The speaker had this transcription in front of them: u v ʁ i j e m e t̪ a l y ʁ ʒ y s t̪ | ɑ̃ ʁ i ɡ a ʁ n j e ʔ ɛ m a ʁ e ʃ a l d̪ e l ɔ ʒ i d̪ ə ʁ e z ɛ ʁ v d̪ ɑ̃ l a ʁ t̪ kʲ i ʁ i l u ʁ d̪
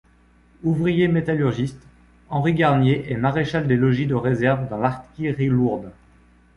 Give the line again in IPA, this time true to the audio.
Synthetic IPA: u v ʁ i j e m e t̪ a l y ʁ ʒ i s t̪ | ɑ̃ ʁ i ɡ a ʁ n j e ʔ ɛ m a ʁ e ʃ a l d̪ e l ɔ ʒ i d̪ ə ʁ e z ɛ ʁ v d̪ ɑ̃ l a ʁ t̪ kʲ i ʁ i l u ʁ d̪